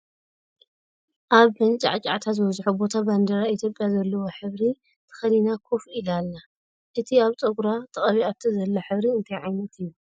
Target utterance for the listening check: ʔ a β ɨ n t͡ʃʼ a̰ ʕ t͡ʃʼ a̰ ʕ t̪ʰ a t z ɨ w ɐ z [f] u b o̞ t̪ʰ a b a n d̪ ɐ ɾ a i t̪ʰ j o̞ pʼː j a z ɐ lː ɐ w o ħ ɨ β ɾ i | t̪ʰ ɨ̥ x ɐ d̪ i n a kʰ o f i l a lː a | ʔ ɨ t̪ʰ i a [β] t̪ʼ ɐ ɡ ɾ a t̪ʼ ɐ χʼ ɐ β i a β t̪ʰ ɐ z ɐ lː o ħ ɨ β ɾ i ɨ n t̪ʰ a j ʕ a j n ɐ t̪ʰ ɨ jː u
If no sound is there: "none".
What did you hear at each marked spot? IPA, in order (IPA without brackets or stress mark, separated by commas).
ħ, β